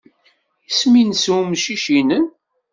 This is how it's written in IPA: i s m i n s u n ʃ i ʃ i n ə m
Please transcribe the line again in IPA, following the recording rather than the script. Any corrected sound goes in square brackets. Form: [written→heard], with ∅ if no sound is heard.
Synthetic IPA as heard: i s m i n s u [n→m] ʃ i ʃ i n ə [m→n]